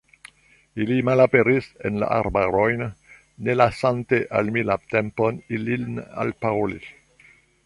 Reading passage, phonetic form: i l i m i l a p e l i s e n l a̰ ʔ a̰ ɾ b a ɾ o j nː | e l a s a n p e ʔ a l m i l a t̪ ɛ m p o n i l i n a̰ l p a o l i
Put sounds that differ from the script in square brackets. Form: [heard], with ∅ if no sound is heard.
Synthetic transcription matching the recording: i l i m [a] l a p e [ɾ] i s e n l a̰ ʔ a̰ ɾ b a ɾ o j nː | e l a s a n [t] e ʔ a l m i l a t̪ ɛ m p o n i l i n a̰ l p a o l i